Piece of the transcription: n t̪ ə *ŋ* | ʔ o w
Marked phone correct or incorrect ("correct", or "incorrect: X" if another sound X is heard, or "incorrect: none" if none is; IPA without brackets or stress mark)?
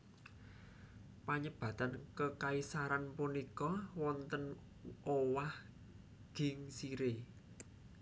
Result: incorrect: n